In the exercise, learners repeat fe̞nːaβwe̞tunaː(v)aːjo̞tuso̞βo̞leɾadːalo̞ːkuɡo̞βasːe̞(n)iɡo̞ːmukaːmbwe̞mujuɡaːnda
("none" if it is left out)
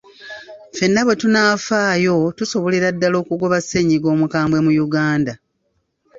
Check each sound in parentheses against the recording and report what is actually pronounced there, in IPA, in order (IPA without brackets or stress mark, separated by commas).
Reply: f, ɲ